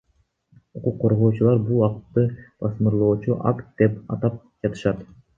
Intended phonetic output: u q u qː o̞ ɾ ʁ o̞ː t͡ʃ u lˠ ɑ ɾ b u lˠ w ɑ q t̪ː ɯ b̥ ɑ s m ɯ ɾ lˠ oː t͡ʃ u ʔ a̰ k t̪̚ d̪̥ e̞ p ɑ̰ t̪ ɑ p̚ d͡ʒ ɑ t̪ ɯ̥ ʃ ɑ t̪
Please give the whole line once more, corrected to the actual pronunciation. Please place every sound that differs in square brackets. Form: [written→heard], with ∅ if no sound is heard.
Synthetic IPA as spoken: u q u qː o̞ ɾ ʁ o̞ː t͡ʃ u lˠ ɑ ɾ b u lˠ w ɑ q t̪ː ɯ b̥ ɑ s m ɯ ɾ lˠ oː t͡ʃ u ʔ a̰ k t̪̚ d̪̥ e̞ p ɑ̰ t̪ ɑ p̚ d͡ʒ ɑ t̪ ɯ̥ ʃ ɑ t̪